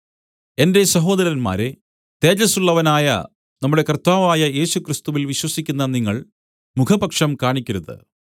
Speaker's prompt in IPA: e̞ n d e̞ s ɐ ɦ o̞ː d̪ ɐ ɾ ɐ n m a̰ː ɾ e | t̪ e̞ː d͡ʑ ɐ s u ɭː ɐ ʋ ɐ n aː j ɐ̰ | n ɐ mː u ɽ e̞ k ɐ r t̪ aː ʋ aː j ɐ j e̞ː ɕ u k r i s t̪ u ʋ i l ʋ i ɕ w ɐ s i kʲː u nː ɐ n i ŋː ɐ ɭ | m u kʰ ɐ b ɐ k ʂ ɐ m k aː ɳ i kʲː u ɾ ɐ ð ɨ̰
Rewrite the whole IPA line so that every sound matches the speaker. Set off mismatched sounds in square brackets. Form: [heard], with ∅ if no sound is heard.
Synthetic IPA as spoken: e̞ n d e̞ s ɐ ɦ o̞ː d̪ ɐ ɾ ɐ n m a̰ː ɾ e | t̪ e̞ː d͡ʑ ɐ s u ɭː ɐ ʋ ɐ n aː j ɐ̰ | n ɐ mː u ɽ e̞ k ɐ r t̪ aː ʋ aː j ɐ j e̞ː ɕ u k r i s t̪ u ʋ i l ʋ i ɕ w ɐ s i kʲː u nː ɐ n i ŋː ɐ ɭ | m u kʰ ɐ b ɐ k ʂ ɐ m k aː ɳ i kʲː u ɾ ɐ ð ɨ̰